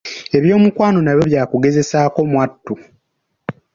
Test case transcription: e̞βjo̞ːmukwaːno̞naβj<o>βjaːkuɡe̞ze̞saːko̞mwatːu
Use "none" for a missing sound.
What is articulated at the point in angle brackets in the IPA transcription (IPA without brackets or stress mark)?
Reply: o